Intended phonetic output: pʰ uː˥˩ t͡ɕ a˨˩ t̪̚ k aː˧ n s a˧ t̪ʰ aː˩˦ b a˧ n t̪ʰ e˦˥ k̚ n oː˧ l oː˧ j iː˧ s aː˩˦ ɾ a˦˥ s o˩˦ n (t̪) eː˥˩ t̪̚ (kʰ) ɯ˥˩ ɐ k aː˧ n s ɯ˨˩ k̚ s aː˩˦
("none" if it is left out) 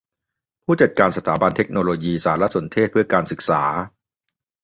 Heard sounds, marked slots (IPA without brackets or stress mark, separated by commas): t̪ʰ, pʰ